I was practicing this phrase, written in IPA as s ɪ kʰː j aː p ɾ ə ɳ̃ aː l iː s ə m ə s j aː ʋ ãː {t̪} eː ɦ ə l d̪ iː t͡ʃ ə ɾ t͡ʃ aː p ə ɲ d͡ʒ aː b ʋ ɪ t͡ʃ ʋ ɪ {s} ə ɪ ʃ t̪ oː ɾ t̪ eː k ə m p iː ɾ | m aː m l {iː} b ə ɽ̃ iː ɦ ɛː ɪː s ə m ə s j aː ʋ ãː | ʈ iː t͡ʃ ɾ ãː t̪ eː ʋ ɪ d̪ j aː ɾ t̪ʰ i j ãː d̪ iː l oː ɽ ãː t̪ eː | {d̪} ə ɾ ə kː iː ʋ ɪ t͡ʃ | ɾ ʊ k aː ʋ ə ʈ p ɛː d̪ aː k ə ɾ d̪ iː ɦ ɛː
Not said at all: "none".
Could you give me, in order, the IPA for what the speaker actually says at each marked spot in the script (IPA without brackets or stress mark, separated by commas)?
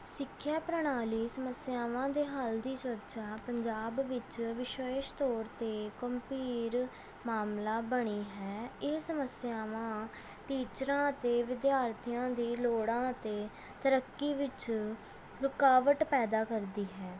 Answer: d̪, ʃ, aː, t̪